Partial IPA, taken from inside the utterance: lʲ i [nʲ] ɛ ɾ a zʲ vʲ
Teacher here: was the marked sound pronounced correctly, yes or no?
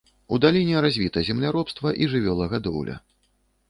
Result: yes